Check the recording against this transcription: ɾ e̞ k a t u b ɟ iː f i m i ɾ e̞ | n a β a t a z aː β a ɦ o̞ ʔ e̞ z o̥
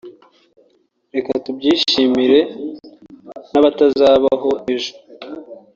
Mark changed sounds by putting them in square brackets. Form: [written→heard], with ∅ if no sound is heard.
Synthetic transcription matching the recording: ɾ e̞ k a t u b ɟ iː [f→ʃ] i m i ɾ e̞ | n a β a t a z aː β a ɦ o̞ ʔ e̞ [z→ʒ] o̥